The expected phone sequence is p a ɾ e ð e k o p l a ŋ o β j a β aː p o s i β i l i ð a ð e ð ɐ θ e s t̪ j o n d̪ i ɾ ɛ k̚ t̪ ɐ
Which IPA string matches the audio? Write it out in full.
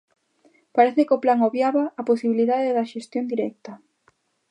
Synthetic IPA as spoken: p a ɾ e θ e k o p l a ŋ o β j a β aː p o s i β i l i ð a ð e ð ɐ ʃ e s t̪ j o n d̪ i ɾ ɛ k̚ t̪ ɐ